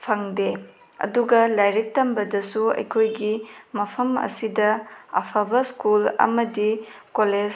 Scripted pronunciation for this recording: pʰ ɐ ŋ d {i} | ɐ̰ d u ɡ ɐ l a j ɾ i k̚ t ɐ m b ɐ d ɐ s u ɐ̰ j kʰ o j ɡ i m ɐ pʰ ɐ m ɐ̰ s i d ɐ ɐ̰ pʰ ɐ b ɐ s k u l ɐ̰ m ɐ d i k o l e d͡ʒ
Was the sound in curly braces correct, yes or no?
no